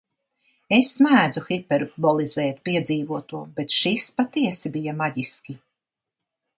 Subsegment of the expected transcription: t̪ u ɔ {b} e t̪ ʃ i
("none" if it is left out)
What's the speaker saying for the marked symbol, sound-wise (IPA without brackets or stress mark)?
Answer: b